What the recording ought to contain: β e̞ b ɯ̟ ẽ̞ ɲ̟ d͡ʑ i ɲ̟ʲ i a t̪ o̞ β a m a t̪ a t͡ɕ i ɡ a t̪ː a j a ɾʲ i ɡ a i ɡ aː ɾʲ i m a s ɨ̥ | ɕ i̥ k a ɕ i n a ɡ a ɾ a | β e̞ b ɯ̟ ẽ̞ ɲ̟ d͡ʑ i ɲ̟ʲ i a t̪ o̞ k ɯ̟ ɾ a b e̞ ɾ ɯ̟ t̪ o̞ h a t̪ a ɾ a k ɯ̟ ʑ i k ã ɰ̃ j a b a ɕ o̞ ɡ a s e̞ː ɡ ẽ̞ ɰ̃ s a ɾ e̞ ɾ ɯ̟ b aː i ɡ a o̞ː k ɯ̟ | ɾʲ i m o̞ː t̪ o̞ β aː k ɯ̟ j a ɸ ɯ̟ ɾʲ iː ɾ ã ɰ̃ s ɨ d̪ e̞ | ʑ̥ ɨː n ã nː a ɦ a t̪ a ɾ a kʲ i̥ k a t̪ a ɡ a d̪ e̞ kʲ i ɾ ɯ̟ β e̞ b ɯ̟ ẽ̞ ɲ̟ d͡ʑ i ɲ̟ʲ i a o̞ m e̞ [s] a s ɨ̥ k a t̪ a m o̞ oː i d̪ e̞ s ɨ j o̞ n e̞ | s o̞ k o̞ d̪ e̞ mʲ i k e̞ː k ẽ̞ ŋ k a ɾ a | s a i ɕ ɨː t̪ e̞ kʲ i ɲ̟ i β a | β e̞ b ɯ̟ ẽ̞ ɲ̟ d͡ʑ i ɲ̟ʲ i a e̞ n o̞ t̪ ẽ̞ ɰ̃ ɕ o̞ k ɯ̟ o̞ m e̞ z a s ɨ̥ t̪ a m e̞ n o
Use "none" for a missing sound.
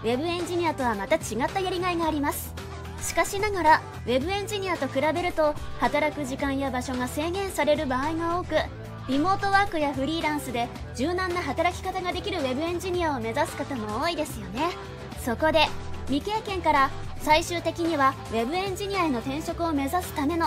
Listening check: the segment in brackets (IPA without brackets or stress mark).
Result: z